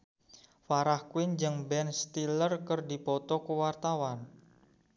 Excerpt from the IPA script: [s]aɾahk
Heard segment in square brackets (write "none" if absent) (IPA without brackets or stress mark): f